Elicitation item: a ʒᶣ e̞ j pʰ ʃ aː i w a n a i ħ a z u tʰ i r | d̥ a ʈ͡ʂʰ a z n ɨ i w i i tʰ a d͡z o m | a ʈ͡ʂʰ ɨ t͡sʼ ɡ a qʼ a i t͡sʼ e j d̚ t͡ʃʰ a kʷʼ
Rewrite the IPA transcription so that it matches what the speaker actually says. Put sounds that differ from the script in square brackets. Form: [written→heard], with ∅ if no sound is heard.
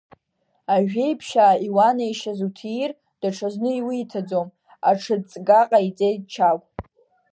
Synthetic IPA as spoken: a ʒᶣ e̞ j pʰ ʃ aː i w a n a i [ħ→ʃ] a z u tʰ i r | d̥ a ʈ͡ʂʰ a z n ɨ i w i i tʰ a d͡z o m | a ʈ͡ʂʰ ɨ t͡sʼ ɡ a qʼ a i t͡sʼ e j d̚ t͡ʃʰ a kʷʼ

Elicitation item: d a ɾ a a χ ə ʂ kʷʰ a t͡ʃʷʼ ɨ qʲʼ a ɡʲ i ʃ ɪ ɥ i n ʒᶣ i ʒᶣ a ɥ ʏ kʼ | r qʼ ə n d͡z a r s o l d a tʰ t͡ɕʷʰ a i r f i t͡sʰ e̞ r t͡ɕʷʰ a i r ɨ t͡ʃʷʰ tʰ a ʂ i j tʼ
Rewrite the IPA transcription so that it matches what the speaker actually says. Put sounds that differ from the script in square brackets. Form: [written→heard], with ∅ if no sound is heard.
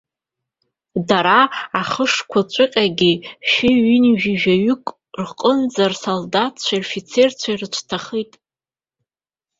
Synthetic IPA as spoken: d a ɾ a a χ ə ʂ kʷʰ a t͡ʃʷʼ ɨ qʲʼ a ɡʲ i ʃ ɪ ɥ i n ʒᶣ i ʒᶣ a ɥ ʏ kʼ | r qʼ ə n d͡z a r s o l d a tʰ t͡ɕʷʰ a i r f i t͡sʰ e̞ r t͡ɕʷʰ a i r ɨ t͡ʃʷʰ tʰ a [ʂ→χ] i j tʼ

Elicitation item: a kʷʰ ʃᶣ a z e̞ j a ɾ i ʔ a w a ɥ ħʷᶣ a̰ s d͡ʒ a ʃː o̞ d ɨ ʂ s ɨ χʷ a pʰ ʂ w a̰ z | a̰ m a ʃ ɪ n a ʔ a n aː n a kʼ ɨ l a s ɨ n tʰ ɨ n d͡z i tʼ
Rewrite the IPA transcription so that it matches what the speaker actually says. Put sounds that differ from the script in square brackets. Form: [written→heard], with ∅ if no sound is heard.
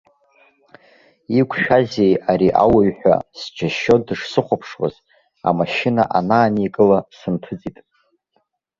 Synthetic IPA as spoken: [a→i] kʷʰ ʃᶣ a z e̞ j a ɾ i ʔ a w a ɥ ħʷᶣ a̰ s d͡ʒ a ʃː o̞ d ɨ ʂ s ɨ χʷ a pʰ ʂ w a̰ z | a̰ m a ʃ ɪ n a ʔ a n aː n [a→i] kʼ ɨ l a s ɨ n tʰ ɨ [n→∅] d͡z i tʼ

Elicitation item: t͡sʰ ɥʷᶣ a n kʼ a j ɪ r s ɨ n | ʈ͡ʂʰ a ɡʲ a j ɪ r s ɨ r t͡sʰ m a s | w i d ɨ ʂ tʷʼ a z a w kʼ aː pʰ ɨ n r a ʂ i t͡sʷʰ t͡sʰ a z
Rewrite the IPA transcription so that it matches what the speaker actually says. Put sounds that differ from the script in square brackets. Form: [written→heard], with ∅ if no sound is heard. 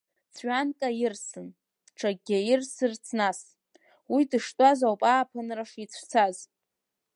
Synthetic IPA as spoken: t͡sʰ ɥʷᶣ a n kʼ a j ɪ r s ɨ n | ʈ͡ʂʰ a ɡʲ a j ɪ r s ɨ r t͡sʰ [m→n] a s | w i d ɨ ʂ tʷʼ a z a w [kʼ→pʼ] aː pʰ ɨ n r a ʂ i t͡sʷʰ t͡sʰ a z

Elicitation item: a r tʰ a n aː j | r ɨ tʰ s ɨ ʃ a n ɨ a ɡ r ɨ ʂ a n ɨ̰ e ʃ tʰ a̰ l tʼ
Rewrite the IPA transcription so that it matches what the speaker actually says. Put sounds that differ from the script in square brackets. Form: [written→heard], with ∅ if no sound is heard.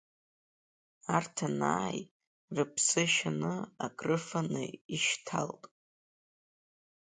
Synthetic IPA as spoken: a r tʰ a n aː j | r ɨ [tʰ→pʰ] s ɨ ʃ a n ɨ a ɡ r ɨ [ʂ→f] a n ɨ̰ [e→i] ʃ tʰ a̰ l tʼ

